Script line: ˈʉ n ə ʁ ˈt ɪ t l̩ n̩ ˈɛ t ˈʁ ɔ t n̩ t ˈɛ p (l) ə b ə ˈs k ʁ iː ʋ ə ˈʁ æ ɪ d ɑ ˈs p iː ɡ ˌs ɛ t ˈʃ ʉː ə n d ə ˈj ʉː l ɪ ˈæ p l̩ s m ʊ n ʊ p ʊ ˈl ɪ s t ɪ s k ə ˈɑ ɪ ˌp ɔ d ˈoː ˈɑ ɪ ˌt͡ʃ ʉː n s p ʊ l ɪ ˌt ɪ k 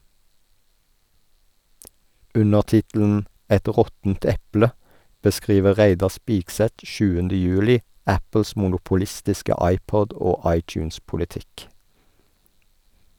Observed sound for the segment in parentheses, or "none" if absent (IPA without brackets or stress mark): l